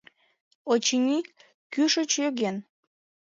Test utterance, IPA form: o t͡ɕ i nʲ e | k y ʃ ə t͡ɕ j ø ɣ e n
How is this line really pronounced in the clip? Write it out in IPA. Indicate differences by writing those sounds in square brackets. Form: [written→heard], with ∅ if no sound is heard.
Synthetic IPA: o t͡ɕ i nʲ [e→i] | k y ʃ ə t͡ɕ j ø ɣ e n